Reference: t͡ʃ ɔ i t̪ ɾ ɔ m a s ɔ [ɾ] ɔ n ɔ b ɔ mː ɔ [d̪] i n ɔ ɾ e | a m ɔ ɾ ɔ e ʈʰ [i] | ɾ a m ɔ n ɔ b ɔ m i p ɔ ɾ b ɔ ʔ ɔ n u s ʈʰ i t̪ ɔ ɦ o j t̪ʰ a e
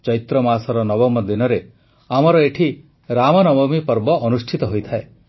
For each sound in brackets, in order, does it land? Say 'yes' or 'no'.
yes, yes, yes

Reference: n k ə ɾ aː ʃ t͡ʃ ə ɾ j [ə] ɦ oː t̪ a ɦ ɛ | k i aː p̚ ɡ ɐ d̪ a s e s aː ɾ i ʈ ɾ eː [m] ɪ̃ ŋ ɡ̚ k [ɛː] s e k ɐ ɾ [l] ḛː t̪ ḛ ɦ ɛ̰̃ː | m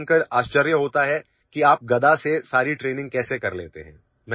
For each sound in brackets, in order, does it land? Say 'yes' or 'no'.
yes, no, yes, yes

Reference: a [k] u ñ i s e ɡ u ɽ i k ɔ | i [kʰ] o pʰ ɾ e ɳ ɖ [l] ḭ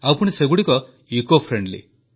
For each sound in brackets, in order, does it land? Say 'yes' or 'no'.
no, no, yes

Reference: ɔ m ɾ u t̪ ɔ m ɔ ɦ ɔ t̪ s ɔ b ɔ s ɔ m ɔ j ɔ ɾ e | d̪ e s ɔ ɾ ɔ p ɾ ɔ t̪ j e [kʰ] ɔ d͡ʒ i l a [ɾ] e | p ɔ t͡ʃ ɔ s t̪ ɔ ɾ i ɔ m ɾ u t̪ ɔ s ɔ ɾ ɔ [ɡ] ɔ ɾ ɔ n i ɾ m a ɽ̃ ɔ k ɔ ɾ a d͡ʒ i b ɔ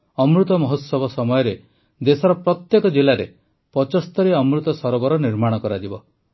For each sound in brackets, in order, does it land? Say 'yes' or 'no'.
no, yes, no

